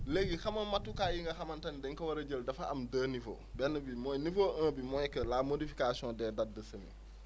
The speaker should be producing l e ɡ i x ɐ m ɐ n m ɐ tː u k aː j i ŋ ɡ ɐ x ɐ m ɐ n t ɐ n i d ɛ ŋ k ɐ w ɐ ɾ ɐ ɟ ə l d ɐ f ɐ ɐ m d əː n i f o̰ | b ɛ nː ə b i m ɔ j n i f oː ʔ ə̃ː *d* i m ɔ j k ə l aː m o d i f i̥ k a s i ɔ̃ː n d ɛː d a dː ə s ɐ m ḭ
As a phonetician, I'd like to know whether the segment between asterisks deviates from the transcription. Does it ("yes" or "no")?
yes